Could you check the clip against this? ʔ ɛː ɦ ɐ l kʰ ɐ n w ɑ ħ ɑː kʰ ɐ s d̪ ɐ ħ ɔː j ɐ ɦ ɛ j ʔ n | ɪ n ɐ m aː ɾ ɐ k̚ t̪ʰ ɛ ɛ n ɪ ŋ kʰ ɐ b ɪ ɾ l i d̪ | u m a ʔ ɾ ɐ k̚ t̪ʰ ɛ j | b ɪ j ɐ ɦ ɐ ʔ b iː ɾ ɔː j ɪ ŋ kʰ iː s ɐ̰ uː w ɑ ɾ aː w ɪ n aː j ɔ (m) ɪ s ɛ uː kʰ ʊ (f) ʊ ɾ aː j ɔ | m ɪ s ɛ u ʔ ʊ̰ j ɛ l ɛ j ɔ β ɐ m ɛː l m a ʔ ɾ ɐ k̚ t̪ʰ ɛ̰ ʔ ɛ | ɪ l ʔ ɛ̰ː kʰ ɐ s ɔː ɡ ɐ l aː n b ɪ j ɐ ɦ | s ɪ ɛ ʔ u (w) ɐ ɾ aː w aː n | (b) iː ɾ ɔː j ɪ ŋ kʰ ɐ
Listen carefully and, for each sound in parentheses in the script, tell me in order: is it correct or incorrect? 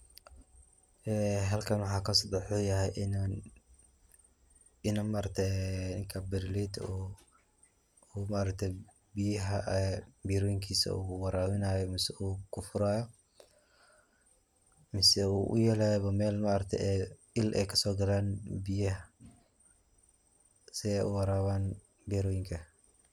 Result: correct, correct, correct, correct

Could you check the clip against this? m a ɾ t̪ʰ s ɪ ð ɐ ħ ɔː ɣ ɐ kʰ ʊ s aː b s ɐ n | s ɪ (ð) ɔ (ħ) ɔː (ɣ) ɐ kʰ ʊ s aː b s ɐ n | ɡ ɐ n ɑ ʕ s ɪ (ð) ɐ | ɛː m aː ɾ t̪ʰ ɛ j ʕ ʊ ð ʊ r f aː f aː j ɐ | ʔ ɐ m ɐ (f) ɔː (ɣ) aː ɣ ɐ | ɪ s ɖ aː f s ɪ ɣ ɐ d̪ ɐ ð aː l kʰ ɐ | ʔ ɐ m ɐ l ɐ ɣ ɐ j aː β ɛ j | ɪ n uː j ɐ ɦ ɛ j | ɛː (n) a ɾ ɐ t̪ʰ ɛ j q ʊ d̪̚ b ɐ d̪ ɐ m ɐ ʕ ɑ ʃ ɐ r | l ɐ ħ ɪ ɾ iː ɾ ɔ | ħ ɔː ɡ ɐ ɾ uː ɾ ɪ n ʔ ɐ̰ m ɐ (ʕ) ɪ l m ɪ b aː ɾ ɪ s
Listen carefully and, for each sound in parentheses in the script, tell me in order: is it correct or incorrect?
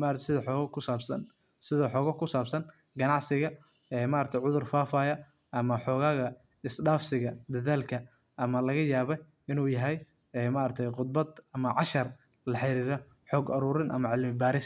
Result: correct, correct, correct, incorrect, incorrect, correct, incorrect, correct

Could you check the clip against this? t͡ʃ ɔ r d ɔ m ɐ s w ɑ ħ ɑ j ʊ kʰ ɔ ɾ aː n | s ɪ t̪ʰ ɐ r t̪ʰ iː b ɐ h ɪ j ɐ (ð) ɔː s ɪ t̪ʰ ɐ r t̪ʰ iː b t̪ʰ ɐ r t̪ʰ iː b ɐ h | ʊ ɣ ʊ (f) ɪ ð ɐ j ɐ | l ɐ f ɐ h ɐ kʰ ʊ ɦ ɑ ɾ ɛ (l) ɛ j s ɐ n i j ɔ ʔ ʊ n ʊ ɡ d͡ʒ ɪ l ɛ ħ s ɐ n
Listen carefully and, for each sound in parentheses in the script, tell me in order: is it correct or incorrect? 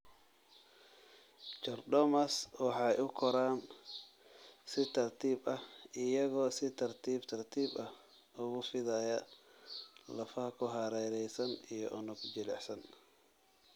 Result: incorrect, correct, incorrect

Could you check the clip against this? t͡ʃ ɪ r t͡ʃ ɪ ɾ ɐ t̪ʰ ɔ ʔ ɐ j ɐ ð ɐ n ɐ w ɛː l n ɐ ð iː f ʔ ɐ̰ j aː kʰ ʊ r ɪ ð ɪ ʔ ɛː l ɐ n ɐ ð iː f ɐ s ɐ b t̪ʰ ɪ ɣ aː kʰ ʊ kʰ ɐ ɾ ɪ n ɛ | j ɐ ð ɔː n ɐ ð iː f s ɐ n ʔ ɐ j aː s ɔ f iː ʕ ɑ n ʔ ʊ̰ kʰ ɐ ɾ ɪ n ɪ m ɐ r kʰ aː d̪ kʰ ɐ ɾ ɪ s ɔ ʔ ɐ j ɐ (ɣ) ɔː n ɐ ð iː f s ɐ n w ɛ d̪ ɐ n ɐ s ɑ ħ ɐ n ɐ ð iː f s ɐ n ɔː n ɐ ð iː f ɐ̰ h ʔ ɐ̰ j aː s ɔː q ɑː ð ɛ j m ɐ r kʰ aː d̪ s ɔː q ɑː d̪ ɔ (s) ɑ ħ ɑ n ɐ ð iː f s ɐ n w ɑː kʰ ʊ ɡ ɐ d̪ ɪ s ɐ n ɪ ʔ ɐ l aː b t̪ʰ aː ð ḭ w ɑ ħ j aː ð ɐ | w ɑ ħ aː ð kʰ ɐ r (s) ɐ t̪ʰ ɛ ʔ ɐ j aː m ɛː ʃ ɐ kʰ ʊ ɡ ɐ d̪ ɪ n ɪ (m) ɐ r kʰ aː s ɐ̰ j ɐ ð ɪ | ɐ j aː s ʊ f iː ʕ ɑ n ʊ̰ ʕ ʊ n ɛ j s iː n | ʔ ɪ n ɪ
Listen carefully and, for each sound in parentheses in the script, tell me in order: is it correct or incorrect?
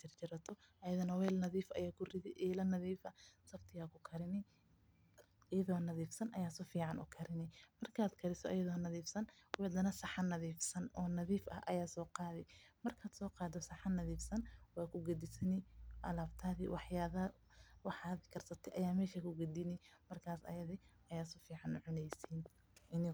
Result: incorrect, correct, correct, correct

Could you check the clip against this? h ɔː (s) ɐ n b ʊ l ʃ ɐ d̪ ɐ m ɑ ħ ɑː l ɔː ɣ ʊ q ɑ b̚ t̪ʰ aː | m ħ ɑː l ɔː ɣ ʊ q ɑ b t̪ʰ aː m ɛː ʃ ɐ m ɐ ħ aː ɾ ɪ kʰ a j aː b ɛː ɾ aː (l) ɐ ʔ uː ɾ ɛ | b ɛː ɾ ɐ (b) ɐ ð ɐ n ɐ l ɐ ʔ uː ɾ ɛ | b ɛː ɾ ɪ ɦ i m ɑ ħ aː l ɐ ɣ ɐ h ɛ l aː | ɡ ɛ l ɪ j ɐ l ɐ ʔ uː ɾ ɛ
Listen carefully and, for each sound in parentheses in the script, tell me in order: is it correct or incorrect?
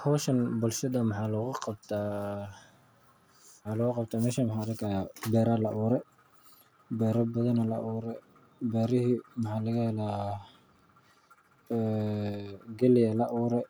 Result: incorrect, correct, correct

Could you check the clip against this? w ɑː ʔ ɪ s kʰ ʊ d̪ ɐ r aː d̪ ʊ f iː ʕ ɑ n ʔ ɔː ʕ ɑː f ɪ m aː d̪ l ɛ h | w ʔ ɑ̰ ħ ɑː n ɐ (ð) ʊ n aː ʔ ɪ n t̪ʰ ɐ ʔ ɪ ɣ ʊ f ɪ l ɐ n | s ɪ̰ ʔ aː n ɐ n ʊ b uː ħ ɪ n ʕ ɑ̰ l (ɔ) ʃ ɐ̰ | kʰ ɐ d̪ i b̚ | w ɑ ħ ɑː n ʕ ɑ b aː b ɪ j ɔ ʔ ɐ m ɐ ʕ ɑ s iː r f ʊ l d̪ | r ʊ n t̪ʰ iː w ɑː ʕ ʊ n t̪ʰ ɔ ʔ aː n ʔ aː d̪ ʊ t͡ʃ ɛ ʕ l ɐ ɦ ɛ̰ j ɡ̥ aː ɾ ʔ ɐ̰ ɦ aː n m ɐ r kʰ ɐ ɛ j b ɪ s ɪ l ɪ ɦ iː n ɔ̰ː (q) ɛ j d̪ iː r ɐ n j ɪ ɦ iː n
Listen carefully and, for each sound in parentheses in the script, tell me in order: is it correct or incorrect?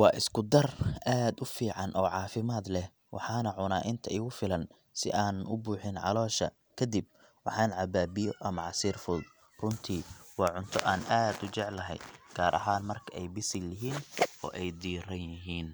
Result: incorrect, incorrect, incorrect

